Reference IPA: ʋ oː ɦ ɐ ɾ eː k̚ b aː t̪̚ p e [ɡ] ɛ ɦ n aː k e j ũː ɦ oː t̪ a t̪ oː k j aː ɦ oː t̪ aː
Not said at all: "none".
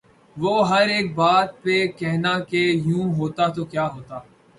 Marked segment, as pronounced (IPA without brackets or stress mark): k